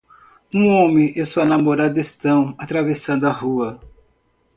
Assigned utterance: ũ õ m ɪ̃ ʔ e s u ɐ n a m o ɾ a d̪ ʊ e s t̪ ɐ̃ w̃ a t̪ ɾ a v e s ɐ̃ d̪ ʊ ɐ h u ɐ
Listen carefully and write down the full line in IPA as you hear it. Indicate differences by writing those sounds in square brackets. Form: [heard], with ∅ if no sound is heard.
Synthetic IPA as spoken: ũ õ m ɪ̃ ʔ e s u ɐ n a m o ɾ a d̪ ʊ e s t̪ ɐ̃ w̃ a t̪ ɾ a v e s ɐ̃ d̪ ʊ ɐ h u ɐ